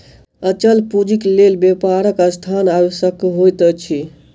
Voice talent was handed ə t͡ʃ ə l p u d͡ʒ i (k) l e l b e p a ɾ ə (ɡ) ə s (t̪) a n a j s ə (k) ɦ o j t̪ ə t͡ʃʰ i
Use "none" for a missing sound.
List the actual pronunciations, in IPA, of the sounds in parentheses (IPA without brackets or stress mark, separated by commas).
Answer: k, k, t̪ʰ, k